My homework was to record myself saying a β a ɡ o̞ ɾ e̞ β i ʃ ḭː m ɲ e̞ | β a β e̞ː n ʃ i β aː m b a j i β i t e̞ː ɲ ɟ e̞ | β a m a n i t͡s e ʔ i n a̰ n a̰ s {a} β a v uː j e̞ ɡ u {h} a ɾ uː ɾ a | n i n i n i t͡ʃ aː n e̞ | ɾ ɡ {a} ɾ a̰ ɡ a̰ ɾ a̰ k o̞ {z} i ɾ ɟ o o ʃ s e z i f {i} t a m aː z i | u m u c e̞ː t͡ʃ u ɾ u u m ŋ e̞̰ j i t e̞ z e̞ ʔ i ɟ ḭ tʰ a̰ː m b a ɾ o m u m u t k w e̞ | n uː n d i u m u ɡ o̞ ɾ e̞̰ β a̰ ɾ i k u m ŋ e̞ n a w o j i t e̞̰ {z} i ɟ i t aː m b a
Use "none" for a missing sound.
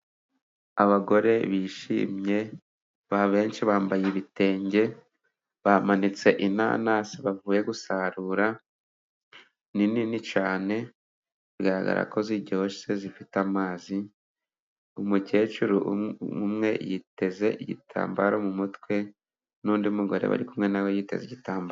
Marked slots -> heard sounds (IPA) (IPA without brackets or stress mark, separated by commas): i, s, a, z, i, z